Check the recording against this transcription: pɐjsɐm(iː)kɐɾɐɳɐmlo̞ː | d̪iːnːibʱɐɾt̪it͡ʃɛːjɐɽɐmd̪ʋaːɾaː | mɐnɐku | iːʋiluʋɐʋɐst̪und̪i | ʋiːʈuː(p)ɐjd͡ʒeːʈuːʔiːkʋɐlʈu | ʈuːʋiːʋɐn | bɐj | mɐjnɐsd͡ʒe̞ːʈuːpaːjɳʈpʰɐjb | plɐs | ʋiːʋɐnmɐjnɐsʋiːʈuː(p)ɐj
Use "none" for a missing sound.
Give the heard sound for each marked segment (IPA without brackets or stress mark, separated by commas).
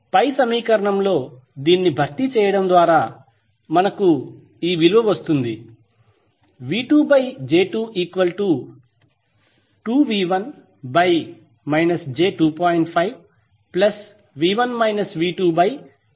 iː, b, b